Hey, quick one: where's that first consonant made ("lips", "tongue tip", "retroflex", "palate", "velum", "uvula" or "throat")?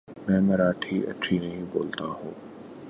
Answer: lips